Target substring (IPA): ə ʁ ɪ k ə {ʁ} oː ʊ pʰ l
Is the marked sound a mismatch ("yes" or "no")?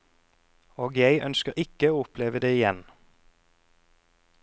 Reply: yes